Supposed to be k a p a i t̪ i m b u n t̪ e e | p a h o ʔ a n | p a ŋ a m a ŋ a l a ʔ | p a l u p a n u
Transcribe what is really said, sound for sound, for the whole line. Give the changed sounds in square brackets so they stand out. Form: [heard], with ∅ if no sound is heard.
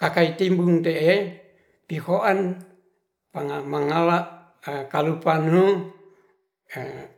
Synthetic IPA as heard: k a [k] a i t̪ i m b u [ŋ] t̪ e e | p [i] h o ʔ a n | p a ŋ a m a ŋ a l a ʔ | [k] a l u p a n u